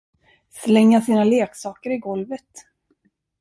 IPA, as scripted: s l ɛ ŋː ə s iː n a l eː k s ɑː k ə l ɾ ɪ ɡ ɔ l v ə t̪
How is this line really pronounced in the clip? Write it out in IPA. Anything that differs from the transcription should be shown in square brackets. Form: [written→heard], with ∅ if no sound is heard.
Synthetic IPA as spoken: s l ɛ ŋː [ə→a] s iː n a l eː k s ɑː k ə [l→∅] ɾ ɪ ɡ ɔ l v ə t̪